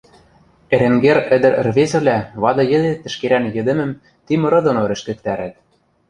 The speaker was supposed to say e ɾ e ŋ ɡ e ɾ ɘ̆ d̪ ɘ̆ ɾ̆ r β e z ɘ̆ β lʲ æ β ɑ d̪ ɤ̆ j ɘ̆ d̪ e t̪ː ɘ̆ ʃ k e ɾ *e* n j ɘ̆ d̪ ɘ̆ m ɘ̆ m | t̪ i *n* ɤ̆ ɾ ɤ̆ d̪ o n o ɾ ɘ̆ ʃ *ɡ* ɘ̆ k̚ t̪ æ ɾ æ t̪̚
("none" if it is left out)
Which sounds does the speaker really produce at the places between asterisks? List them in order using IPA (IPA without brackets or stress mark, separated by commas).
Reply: æ, m, k